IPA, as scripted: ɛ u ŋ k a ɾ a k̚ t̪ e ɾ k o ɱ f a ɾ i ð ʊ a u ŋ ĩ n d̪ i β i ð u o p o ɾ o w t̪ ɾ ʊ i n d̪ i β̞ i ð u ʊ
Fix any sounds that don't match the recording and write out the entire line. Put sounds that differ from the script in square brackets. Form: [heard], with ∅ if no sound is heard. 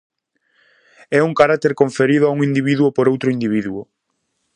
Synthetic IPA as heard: ɛ u ŋ k a ɾ a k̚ t̪ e ɾ k o ɱ f [e] ɾ i ð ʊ a u ŋ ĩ n d̪ i β i ð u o p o ɾ o w t̪ ɾ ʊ i n d̪ i β̞ i ð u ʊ